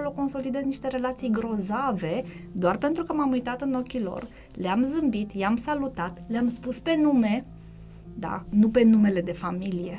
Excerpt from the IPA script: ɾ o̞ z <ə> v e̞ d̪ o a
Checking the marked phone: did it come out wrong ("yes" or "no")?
yes